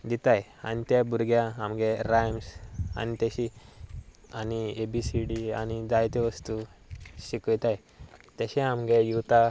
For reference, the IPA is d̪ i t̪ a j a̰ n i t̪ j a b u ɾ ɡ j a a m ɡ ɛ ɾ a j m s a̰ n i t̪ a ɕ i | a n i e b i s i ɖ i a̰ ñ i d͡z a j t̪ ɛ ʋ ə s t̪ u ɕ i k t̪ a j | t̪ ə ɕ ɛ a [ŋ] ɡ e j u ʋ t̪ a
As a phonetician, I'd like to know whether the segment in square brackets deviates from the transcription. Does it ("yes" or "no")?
yes